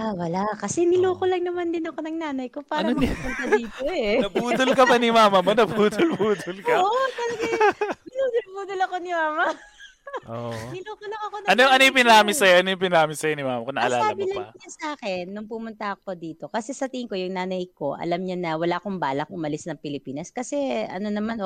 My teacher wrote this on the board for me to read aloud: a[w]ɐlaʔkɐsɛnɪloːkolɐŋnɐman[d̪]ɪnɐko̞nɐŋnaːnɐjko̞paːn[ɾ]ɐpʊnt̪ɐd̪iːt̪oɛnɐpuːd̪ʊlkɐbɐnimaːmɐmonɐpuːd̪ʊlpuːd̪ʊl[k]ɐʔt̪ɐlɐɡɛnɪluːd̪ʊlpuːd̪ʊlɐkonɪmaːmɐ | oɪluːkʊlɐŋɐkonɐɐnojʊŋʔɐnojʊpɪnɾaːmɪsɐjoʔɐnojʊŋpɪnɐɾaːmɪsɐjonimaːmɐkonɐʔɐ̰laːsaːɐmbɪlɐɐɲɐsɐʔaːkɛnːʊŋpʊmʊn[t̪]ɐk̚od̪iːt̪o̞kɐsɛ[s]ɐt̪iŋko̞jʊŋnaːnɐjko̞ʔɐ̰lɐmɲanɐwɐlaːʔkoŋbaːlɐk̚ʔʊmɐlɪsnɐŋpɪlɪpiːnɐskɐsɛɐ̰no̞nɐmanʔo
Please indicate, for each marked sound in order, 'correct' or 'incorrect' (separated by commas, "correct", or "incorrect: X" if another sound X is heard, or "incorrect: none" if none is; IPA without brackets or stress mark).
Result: correct, correct, correct, correct, correct, correct